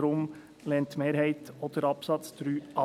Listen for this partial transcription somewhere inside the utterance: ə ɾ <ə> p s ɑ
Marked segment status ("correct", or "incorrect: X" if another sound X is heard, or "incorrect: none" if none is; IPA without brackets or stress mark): incorrect: ɑ